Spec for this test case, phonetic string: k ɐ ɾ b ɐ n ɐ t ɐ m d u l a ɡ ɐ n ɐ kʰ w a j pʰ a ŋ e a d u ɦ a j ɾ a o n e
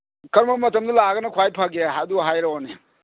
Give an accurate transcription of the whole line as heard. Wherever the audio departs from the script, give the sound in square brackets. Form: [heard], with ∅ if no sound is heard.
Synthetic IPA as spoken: k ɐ ɾ [m] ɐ [m] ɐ t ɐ m d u l a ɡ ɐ n ɐ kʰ w a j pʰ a [ɡ] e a d u ɦ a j ɾ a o n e